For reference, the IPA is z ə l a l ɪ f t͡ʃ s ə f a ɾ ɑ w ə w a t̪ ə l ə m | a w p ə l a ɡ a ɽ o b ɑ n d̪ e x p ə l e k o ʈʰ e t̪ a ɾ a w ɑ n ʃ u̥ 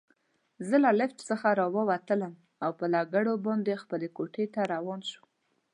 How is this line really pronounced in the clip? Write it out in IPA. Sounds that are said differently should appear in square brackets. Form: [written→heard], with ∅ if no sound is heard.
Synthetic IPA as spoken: z ə l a l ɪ f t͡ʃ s ə [f→x] a ɾ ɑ w ə w a t̪ ə l ə m | a w p ə l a ɡ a ɽ o b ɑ n d̪ e x p ə l e k o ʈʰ e t̪ a ɾ a w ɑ n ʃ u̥